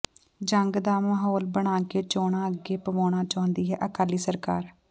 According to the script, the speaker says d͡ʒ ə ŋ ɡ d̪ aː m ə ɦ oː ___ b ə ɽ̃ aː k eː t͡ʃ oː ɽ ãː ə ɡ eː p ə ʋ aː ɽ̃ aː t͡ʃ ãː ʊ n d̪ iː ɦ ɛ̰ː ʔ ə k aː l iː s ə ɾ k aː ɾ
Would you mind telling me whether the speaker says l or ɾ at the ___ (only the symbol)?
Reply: l